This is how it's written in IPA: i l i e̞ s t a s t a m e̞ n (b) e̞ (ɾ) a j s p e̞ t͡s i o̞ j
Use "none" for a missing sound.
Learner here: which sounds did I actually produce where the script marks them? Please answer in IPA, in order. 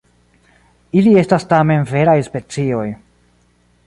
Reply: v, ɾ

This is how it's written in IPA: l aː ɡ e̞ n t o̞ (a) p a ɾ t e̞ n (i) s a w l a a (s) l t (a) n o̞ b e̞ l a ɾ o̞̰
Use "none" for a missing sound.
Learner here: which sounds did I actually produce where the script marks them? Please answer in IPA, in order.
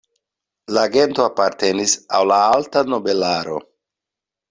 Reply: a, i, none, a

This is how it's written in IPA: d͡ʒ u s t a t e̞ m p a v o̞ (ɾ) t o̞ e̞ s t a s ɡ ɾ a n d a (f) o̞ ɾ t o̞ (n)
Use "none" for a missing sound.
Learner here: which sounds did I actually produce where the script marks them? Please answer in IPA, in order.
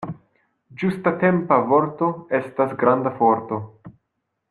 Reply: ɾ, f, none

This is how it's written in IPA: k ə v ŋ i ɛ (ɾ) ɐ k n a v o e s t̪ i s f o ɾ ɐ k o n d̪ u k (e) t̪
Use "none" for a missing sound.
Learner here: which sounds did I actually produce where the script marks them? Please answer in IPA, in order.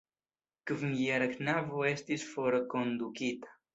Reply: ɾ, i

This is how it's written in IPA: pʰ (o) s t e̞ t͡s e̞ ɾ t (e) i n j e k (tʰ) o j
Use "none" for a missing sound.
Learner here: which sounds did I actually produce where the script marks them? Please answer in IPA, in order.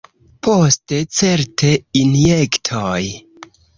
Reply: o, e, tʰ

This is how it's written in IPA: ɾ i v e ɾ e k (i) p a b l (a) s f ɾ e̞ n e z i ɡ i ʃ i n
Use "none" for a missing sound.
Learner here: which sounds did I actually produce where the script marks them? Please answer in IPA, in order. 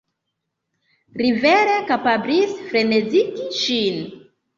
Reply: a, i

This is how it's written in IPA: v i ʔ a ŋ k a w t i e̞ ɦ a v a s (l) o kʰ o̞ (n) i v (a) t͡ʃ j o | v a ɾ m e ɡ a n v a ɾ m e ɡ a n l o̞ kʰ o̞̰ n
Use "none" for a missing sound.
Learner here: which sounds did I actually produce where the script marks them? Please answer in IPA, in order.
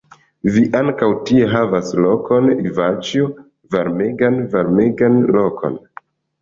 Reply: l, n, a

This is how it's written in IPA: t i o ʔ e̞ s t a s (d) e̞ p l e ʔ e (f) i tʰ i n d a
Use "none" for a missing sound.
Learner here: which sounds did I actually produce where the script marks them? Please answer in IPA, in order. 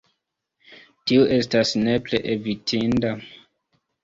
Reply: n, v

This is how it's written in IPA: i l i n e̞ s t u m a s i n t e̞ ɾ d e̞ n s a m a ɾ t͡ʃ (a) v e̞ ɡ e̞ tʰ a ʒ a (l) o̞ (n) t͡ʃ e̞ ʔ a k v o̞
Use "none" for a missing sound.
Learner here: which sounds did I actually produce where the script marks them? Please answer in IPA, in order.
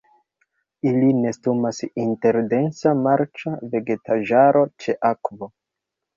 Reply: a, ɾ, none

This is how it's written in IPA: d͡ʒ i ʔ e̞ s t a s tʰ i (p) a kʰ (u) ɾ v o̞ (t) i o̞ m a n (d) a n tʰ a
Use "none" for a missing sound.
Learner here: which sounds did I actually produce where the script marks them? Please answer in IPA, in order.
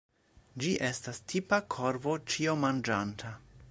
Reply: p, o, t͡ʃ, d͡ʒ

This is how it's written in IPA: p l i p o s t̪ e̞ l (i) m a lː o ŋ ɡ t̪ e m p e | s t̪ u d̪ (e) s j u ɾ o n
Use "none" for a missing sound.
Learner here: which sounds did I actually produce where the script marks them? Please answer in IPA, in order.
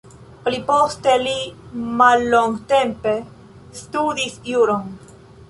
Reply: i, i

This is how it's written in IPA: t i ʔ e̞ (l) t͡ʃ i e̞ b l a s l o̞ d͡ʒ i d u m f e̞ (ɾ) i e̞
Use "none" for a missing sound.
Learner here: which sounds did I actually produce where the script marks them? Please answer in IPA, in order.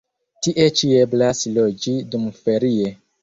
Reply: none, ɾ

